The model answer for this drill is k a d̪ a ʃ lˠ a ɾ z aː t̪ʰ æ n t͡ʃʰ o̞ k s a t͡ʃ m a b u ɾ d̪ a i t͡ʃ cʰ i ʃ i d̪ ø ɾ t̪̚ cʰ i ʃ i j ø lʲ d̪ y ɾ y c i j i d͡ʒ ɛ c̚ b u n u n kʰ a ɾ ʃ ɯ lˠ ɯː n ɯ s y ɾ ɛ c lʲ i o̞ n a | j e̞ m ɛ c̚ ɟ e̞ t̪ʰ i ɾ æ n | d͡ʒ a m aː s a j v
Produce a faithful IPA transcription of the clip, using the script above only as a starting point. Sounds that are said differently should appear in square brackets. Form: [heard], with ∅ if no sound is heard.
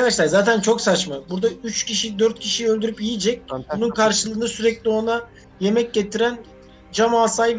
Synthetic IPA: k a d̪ a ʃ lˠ a ɾ z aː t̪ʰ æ n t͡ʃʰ o̞ k s a t͡ʃ m a b u ɾ d̪ a [y] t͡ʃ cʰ i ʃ i d̪ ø ɾ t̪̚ cʰ i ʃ i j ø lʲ d̪ y ɾ y [p] i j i d͡ʒ ɛ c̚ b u n u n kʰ a ɾ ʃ ɯ lˠ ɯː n ɯ s y ɾ ɛ c lʲ i o̞ n a | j e̞ m ɛ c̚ ɟ e̞ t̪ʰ i ɾ æ n | d͡ʒ a m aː s a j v